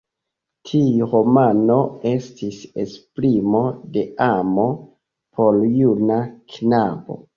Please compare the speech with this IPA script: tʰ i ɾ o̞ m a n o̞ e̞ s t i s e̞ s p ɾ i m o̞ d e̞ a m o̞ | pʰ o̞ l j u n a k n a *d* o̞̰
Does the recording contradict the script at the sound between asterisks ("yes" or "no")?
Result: yes